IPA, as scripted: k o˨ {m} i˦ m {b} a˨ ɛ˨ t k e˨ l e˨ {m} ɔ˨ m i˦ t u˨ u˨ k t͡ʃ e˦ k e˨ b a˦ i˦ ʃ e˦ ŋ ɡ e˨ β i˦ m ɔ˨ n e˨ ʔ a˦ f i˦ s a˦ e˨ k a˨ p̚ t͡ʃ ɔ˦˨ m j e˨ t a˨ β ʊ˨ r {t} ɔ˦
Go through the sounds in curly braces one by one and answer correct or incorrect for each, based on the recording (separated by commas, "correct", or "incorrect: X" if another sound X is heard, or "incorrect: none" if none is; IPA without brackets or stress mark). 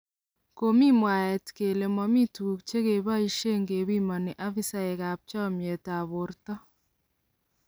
correct, incorrect: w, correct, correct